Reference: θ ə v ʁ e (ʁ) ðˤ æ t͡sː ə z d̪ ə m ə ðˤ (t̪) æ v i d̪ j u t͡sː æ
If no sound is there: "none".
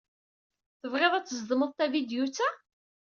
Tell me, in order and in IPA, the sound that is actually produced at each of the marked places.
none, t̪

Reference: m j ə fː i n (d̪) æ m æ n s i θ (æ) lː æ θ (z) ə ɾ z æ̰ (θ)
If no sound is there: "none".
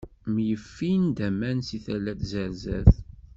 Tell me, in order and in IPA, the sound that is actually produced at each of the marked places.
d̪, æ, z, θ

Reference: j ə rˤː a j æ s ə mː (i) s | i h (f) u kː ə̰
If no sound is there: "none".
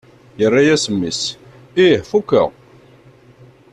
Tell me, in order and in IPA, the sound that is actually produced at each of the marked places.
i, f

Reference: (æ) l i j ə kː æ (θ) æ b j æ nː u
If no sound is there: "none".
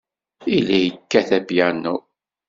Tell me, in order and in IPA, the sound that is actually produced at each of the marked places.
i, θ

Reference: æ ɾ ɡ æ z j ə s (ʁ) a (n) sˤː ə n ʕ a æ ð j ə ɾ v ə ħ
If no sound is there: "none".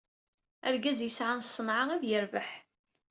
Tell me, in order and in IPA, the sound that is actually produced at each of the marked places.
ʕ, n

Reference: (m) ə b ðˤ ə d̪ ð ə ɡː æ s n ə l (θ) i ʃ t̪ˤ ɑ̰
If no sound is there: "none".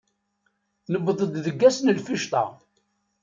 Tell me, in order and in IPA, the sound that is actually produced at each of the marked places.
n, f

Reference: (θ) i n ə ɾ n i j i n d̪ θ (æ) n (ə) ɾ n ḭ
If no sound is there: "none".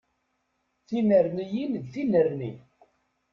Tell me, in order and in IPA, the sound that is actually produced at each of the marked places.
θ, i, ə

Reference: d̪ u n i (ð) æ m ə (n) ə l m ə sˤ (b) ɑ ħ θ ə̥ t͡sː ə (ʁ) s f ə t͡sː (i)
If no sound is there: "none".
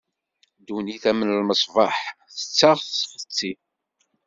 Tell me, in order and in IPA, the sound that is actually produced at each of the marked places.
θ, n, v, ʁ, i

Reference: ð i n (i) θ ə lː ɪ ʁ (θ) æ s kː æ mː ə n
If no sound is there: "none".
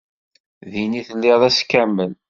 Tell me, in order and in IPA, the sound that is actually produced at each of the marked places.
i, ð

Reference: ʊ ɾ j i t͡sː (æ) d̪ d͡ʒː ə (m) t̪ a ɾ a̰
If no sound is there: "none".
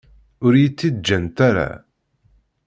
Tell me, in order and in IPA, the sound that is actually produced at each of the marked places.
i, n

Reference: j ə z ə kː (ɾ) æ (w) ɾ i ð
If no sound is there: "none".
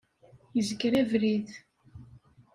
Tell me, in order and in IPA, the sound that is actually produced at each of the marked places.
ɾ, v

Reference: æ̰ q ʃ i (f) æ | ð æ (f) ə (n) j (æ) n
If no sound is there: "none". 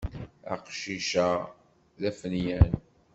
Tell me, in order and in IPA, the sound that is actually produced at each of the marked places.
ʃ, f, n, æ

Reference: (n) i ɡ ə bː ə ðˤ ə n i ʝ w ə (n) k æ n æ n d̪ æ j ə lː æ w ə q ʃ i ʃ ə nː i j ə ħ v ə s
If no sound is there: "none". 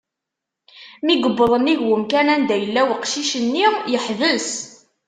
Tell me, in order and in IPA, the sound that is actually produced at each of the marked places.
m, m

